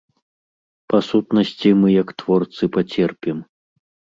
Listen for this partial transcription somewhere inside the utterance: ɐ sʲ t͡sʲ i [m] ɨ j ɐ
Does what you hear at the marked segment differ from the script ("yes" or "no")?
no